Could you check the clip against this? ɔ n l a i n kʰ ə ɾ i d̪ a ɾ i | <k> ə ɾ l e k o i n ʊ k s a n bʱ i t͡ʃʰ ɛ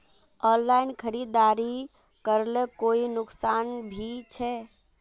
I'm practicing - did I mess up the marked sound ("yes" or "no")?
no